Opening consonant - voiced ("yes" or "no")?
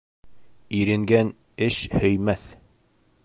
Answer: yes